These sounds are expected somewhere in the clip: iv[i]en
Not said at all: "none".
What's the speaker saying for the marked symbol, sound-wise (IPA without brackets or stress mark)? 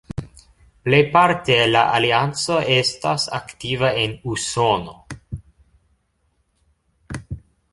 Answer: a